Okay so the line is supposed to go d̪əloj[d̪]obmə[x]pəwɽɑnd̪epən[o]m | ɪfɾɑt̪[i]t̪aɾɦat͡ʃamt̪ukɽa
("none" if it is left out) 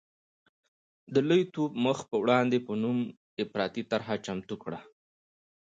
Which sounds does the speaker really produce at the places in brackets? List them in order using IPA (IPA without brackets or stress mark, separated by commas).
t̪, x, u, i